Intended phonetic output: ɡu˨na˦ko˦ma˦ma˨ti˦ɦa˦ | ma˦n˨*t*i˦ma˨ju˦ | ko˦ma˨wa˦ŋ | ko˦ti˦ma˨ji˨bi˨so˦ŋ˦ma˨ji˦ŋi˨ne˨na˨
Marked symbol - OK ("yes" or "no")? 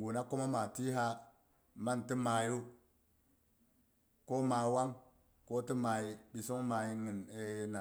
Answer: yes